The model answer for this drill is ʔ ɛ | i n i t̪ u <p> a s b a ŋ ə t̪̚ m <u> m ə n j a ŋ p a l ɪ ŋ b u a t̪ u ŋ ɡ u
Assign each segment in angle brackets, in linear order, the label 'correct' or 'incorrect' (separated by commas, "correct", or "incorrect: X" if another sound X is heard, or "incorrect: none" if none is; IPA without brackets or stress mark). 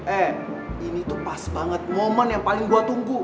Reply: correct, incorrect: o